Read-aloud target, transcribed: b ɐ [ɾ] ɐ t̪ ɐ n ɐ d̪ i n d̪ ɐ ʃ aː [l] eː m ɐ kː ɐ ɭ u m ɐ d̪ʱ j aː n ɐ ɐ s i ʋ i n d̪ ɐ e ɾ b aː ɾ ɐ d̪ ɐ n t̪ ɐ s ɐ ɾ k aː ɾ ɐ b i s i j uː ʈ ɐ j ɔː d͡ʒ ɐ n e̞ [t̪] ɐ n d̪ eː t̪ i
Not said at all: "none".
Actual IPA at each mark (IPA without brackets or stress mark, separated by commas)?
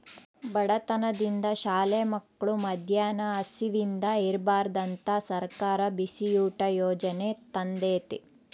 ɽ, l, t̪